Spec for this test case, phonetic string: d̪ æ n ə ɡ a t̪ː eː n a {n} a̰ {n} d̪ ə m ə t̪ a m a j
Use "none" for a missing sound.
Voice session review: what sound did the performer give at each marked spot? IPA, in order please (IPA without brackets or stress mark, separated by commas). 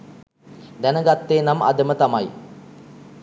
m, none